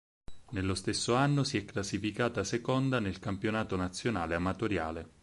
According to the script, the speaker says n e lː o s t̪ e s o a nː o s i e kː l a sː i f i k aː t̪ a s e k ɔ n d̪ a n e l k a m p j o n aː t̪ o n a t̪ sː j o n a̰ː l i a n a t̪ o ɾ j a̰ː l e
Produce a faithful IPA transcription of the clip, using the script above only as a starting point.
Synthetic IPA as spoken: n e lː o s t̪ e sː o a nː o s i ɛ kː l a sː i f i k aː t̪ a s e k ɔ n d̪ a n e l k a m p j o n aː t̪ o n a t̪ sː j o n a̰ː l e a m a t̪ o ɾ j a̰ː l e